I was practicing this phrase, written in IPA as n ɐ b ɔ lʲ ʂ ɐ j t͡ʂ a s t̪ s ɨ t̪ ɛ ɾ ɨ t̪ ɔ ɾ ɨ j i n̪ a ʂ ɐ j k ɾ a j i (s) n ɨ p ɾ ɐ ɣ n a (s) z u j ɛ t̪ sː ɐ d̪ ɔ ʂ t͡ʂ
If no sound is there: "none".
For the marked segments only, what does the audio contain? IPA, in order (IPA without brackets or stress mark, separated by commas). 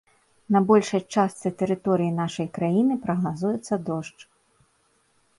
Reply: none, none